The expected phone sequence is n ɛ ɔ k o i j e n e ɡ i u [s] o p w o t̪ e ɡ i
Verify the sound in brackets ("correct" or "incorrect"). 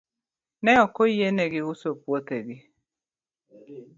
correct